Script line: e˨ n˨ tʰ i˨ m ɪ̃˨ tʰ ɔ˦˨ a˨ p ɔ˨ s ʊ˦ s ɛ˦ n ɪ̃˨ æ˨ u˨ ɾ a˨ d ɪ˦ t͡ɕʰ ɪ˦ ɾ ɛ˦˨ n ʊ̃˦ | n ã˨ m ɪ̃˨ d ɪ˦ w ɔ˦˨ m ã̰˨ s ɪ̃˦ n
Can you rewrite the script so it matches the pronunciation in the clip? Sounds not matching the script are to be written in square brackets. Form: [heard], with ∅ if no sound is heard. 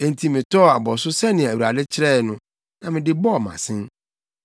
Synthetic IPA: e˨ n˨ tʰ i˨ m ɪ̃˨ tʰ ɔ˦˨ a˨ [b] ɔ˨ s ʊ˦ s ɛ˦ n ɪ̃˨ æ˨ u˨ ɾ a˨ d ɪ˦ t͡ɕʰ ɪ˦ ɾ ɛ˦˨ n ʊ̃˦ | n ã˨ m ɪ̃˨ d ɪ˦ [b] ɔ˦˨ m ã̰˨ s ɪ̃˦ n